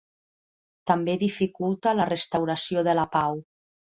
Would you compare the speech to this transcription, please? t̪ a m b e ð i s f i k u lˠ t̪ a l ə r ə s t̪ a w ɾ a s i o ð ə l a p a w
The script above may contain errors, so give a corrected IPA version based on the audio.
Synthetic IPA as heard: t̪ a m b e ð i f i k u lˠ t̪ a l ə r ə s t̪ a w ɾ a s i o ð ə l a p a w